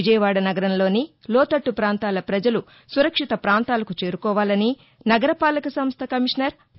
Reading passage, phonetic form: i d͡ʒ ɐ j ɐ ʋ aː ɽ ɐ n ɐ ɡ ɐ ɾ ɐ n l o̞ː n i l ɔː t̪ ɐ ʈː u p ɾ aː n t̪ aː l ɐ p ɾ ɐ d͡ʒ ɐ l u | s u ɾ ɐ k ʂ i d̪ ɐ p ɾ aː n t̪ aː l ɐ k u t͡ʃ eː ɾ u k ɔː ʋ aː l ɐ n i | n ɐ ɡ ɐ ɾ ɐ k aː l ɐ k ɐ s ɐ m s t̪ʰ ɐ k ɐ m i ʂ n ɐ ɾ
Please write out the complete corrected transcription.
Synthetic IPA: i d͡ʒ ɐ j ɐ ʋ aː ɽ ɐ n ɐ ɡ ɐ ɾ ɐ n l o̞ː n i l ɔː t̪ ɐ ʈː u p ɾ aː n t̪ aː l ɐ p ɾ ɐ d͡ʒ ɐ l u | s u ɾ ɐ k ʂ i t̪ ɐ p ɾ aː n t̪ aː l ɐ k u t͡ʃ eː ɾ u k ɔː ʋ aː l ɐ n i | n ɐ ɡ ɐ ɾ ɐ p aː l ɐ k ɐ s ɐ m s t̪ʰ ɐ k ɐ m i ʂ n ɐ ɾ